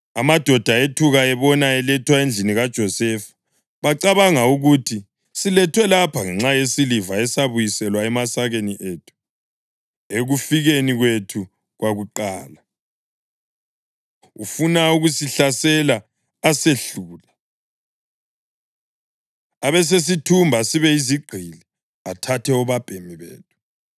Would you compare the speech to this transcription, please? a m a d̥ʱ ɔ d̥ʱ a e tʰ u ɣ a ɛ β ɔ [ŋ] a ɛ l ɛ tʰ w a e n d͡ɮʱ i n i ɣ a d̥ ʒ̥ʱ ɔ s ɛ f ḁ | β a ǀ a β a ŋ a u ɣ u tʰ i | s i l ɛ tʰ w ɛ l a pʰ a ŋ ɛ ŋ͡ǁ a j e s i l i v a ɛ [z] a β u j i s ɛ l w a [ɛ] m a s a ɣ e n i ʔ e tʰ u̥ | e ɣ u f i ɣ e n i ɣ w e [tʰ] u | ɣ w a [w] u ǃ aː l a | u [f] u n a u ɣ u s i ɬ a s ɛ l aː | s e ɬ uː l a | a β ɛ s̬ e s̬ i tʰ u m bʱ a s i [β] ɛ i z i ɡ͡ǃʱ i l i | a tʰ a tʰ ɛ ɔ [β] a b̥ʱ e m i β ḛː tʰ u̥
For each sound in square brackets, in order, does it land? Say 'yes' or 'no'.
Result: no, no, yes, yes, no, yes, yes, yes

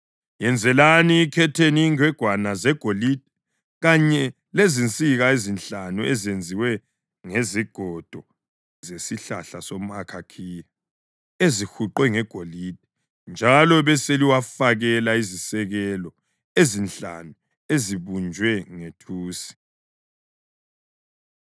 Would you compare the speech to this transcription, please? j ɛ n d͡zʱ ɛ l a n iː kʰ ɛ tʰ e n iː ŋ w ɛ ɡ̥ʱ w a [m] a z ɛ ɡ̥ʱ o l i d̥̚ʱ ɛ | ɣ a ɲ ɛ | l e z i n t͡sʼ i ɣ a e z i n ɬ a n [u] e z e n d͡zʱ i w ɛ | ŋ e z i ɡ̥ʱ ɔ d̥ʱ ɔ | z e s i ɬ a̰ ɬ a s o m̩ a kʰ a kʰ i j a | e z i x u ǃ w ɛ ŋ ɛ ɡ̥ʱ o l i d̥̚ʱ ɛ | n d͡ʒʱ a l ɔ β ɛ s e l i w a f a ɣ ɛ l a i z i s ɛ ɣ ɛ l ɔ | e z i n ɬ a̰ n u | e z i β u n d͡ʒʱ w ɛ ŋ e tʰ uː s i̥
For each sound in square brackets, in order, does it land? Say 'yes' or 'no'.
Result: no, yes

